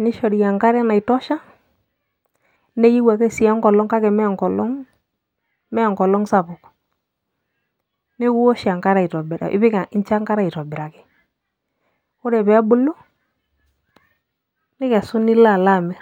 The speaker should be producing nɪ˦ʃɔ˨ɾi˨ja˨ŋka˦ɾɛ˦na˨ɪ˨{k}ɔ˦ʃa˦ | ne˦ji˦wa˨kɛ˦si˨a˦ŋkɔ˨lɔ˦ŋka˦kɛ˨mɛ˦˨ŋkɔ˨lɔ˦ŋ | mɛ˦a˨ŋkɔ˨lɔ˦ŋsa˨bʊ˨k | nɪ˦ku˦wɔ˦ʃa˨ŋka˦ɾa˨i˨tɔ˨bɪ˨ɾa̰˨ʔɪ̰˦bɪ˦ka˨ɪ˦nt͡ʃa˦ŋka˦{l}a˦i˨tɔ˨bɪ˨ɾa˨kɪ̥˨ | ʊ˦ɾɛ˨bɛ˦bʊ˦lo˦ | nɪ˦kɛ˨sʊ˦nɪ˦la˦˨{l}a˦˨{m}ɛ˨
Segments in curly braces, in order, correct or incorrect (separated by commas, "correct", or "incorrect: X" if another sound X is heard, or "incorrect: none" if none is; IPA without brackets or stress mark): incorrect: t, incorrect: ɾ, correct, correct